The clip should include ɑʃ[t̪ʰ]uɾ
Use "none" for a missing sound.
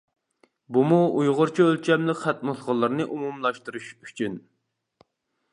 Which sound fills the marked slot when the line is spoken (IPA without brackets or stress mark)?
t̪